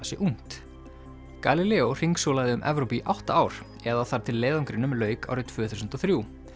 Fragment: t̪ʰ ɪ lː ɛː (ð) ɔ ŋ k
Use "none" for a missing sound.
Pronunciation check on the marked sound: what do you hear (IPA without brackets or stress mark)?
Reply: ð